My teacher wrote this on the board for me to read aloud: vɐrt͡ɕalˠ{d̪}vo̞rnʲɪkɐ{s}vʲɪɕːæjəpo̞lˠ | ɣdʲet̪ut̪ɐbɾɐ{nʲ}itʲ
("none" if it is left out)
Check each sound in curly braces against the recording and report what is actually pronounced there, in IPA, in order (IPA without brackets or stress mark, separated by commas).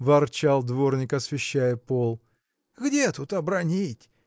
d̪, s, nʲ